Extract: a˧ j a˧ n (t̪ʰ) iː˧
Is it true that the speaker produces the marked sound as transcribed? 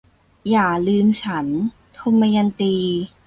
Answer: no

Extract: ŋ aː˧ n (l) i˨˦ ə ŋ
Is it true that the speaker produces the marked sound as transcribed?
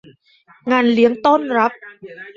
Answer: yes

